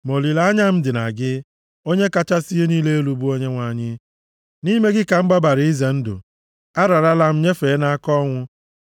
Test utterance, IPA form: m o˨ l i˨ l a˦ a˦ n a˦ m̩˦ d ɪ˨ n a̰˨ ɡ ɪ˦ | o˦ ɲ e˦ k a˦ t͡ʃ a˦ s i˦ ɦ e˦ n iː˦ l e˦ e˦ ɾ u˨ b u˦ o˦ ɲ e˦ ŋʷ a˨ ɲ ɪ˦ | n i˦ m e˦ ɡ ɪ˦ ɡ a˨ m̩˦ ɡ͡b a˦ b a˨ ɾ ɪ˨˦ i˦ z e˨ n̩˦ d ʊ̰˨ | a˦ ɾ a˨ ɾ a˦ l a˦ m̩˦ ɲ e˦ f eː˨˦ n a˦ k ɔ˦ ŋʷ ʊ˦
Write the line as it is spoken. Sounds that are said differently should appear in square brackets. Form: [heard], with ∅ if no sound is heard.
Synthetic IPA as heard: m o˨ l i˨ l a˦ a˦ [ɲ] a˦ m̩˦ d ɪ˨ n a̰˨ ɡ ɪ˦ | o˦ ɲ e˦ k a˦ t͡ʃ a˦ s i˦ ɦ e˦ n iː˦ l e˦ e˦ [l] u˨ b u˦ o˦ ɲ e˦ ŋʷ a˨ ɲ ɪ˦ | n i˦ m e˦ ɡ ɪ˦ [k] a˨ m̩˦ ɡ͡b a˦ b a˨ ɾ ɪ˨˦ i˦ z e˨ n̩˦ d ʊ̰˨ | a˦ ɾ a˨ ɾ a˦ l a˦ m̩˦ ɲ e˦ f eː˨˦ n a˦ k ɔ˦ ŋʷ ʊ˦

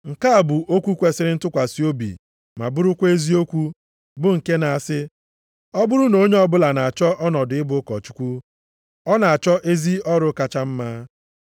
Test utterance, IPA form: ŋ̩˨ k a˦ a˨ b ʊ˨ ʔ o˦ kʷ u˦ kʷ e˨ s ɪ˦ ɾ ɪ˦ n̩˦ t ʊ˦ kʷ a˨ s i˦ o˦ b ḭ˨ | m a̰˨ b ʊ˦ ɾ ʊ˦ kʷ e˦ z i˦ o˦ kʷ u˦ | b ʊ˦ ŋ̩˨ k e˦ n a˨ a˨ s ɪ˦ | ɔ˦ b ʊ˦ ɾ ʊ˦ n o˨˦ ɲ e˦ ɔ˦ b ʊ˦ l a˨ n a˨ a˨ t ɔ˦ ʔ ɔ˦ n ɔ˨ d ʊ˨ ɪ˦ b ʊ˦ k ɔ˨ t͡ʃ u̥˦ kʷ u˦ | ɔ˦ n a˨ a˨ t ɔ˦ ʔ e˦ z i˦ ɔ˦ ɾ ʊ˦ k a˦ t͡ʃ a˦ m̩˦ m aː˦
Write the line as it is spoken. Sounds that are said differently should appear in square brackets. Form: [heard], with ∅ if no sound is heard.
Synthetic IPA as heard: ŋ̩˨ k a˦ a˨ b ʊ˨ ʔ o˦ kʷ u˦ kʷ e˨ s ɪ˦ ɾ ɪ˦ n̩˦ t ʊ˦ kʷ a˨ s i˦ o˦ b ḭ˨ | m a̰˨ b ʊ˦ ɾ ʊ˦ kʷ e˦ z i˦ o˦ kʷ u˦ | b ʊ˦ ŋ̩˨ k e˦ n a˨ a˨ s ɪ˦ | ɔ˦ b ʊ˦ ɾ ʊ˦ n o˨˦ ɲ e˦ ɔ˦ b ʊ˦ l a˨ n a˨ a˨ [t͡ʃ] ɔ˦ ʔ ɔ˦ n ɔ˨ d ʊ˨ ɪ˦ b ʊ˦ k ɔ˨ t͡ʃ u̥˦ kʷ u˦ | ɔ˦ n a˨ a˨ [t͡ʃ] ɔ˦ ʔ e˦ z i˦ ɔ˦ ɾ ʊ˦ k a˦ t͡ʃ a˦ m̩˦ m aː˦

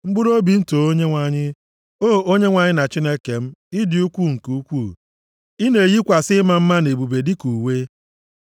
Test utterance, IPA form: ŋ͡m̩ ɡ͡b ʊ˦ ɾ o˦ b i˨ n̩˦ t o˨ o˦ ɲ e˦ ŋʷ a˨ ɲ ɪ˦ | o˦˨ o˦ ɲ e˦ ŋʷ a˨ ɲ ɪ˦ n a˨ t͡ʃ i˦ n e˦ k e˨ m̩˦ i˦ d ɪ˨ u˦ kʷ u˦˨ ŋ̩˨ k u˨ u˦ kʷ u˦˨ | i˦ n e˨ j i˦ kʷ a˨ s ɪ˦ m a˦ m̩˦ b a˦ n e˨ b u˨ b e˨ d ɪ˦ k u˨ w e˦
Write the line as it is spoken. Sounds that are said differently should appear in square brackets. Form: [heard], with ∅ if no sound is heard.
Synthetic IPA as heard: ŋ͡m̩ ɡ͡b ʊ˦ ɾ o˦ b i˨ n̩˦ t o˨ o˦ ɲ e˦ ŋʷ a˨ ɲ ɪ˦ | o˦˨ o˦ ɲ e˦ ŋʷ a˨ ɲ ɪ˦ n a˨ t͡ʃ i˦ n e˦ k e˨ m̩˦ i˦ d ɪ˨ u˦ kʷ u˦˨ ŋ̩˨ k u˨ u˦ kʷ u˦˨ | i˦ n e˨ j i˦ kʷ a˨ s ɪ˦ m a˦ m̩˦ [m] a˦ n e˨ b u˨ b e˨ d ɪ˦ k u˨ w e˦

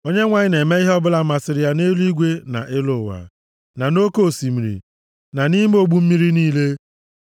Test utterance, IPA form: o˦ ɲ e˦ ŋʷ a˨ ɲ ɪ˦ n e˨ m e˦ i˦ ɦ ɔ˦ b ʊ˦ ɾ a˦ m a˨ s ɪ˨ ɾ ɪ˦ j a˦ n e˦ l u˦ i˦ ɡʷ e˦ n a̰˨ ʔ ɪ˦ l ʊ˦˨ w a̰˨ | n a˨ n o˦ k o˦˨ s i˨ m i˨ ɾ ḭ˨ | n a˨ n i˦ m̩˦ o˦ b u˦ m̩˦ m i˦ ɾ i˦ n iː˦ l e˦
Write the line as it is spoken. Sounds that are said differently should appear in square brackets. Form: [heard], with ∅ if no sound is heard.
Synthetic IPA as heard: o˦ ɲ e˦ ŋʷ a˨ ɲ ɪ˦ n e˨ m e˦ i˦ ɦ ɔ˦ b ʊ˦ [l] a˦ m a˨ s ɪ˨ ɾ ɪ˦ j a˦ n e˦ l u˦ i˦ ɡʷ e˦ n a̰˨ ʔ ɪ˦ l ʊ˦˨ w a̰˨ | n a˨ n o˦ k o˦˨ s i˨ m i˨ ɾ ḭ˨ | n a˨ n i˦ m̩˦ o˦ [ɡ͡b] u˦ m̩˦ m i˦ ɾ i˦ n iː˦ l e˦

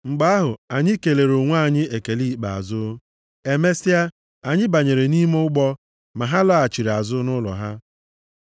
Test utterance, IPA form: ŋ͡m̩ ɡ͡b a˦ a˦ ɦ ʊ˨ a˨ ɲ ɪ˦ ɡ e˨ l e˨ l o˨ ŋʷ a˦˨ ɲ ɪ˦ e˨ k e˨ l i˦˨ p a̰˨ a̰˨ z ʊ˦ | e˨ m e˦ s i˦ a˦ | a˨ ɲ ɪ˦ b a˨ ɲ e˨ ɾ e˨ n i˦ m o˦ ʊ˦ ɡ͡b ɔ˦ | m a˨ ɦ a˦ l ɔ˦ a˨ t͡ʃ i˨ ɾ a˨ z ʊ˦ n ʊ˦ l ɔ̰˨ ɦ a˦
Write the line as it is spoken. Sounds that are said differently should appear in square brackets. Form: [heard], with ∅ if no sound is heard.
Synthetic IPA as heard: ŋ͡m̩ ɡ͡b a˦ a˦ ɦ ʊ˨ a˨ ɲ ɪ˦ [k] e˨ l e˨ [ɾ] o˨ ŋʷ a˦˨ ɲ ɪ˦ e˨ k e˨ l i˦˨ [k͡p] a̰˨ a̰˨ z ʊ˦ | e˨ m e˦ s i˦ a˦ | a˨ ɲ ɪ˦ b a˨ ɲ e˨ ɾ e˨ n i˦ m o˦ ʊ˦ ɡ͡b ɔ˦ | m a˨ ɦ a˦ l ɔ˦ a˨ t͡ʃ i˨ ɾ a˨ z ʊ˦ n ʊ˦ l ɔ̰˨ ɦ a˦

